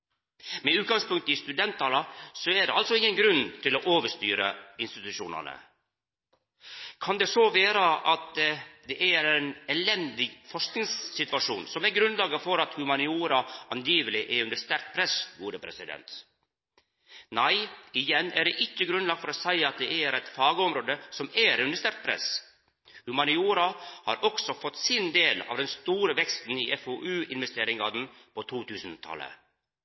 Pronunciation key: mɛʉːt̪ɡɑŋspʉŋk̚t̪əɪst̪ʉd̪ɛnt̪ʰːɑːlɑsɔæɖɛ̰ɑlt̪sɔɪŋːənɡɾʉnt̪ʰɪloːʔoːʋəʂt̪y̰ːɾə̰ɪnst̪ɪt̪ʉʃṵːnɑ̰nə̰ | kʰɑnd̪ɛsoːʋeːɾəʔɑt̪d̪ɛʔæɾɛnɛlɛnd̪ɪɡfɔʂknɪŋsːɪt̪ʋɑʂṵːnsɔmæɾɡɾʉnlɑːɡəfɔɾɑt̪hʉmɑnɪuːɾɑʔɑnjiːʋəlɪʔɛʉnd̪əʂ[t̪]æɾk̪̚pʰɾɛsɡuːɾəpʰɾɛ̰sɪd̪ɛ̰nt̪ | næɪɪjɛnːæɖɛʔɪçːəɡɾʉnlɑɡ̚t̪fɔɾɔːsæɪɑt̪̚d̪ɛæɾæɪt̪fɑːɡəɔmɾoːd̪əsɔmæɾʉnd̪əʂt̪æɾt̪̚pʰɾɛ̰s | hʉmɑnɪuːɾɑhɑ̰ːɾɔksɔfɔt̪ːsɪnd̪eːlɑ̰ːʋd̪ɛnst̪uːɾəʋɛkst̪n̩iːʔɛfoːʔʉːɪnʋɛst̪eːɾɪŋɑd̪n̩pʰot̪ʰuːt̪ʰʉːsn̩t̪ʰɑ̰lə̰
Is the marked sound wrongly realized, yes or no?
no